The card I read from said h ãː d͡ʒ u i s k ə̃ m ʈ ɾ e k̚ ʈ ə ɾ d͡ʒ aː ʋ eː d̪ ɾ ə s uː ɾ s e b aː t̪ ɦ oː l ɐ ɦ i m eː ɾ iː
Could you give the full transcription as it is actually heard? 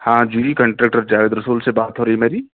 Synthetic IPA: h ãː d͡ʒ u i k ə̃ ɳ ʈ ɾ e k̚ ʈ ə ɾ d͡ʒ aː ʋ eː d̪ ɾ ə s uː l s e b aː t̪ ɦ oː ɾ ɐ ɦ i m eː ɾ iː